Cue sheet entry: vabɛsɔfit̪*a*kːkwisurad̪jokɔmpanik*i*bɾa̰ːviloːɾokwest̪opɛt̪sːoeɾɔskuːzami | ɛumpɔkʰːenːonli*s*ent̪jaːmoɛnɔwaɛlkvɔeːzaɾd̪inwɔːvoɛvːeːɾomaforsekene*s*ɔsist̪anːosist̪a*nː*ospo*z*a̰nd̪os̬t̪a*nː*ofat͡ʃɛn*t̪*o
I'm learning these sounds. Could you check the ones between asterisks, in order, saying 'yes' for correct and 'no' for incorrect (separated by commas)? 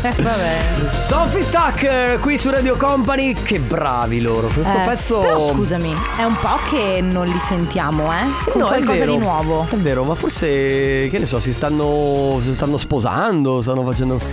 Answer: yes, no, yes, yes, yes, yes, yes, no